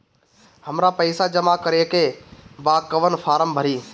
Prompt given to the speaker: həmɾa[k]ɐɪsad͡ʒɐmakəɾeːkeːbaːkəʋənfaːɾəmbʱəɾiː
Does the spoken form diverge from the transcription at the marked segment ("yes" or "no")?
yes